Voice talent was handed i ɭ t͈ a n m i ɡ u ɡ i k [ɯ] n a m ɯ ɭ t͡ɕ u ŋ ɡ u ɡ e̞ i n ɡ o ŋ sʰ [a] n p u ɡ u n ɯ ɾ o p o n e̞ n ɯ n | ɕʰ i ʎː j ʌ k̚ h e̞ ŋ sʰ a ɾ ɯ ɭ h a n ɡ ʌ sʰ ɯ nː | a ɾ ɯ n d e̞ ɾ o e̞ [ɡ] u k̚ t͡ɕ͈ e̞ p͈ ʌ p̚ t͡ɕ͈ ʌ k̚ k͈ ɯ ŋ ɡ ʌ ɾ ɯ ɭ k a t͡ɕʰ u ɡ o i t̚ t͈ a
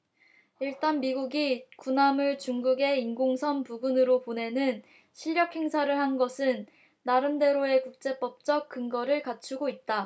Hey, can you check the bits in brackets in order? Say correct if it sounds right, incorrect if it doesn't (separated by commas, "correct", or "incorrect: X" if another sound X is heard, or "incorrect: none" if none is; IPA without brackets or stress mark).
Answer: incorrect: u, incorrect: ʌ, incorrect: k